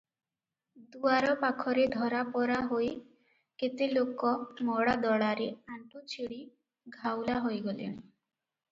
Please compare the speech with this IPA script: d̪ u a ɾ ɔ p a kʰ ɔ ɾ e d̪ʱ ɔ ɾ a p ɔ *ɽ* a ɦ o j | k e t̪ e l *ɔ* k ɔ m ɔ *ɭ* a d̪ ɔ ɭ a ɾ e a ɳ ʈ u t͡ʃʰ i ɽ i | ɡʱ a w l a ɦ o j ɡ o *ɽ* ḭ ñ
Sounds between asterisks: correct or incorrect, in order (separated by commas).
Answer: incorrect, incorrect, incorrect, incorrect